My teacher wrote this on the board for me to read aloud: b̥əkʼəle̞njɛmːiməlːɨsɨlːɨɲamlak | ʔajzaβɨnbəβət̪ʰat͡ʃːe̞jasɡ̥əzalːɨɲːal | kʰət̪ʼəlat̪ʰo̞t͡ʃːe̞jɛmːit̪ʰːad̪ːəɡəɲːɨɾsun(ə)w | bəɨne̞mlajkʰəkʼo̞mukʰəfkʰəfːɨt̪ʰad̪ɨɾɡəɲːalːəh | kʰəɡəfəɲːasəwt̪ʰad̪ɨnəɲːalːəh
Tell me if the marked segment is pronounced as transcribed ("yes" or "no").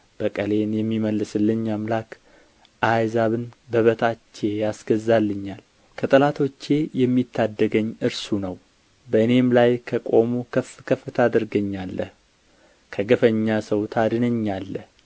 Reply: yes